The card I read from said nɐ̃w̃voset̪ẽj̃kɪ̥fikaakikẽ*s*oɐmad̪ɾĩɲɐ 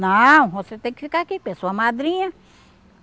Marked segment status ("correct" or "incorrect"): correct